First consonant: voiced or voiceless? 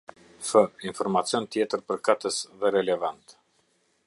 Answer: voiceless